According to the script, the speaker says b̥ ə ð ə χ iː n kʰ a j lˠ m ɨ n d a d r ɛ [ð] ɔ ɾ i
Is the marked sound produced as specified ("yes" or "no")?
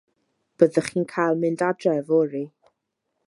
no